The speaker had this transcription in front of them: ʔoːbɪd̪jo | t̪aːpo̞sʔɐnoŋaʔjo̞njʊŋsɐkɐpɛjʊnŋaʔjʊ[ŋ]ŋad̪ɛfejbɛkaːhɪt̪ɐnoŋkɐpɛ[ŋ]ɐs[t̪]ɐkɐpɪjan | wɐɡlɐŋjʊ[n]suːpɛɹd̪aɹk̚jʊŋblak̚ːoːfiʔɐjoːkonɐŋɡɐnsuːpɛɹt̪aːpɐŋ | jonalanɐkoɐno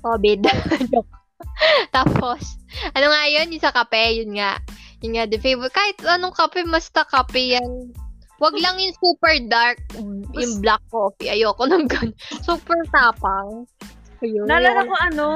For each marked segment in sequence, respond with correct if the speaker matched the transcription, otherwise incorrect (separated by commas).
incorrect, incorrect, correct, incorrect